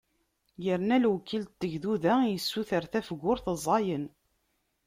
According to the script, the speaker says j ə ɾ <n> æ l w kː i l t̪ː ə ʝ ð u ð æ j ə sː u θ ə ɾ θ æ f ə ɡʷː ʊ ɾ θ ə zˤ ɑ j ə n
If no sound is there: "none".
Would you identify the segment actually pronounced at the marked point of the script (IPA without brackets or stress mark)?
n